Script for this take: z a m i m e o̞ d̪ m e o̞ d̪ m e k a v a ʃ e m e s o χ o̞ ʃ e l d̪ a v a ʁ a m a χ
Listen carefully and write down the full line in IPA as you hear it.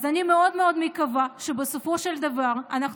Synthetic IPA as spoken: z a n i m e o̞ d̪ m e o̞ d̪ m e k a v a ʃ e b e s o f o̞ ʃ e l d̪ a v a ʁ a n a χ